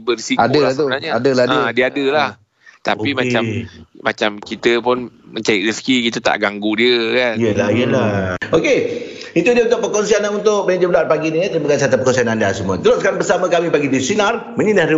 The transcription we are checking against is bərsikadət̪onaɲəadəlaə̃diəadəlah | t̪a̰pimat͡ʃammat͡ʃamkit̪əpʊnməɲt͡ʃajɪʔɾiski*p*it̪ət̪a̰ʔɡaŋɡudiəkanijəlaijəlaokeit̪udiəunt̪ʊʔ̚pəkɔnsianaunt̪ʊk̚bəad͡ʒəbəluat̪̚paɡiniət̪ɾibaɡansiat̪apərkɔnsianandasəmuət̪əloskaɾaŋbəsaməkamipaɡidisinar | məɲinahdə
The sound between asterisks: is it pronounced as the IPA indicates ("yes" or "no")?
no